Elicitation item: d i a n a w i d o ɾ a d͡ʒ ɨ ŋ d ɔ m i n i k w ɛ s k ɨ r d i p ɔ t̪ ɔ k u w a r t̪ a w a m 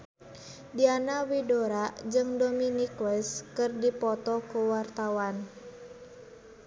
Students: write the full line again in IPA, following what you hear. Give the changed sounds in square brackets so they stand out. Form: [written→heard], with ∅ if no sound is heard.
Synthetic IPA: d i a n a w i d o ɾ a d͡ʒ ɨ ŋ d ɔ m i n i k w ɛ s k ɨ r d i p ɔ t̪ ɔ k u w a r t̪ a w a [m→n]